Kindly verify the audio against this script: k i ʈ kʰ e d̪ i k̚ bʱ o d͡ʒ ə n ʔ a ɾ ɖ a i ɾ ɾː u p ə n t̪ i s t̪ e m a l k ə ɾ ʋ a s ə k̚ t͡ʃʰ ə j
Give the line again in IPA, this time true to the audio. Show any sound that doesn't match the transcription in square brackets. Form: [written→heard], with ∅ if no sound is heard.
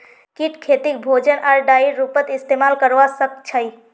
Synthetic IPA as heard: k i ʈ kʰ e [d̪→t̪] i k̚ bʱ o d͡ʒ ə n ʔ a ɾ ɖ a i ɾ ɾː u p ə [n→∅] t̪ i s t̪ e m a l k ə ɾ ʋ a s ə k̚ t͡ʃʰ ə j